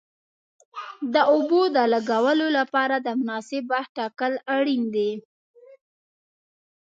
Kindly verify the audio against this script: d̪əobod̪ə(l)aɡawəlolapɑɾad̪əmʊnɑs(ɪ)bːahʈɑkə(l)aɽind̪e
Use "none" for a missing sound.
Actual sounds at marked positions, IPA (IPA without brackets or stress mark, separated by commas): l, ɪ, l